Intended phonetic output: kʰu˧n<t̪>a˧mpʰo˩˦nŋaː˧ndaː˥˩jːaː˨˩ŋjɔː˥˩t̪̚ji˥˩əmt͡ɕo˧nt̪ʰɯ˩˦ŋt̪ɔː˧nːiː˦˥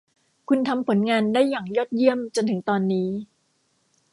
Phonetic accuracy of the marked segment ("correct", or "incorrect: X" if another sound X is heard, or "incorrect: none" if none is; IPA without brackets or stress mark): incorrect: t̪ʰ